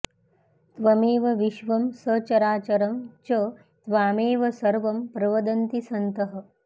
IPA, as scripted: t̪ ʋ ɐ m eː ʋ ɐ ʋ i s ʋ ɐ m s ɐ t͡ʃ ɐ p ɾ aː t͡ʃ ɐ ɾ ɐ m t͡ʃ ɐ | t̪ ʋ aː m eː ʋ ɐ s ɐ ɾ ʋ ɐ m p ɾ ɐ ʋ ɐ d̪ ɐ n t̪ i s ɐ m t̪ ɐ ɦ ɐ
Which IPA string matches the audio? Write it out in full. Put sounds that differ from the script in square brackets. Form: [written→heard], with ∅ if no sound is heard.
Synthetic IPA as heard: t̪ ʋ ɐ m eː ʋ ɐ ʋ i [s→ʃ] ʋ ɐ m s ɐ t͡ʃ ɐ [p→∅] ɾ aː t͡ʃ ɐ ɾ ɐ m t͡ʃ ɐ | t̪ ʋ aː m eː ʋ ɐ s ɐ ɾ ʋ ɐ m p ɾ ɐ ʋ ɐ d̪ ɐ n t̪ i s ɐ [m→n] t̪ ɐ ɦ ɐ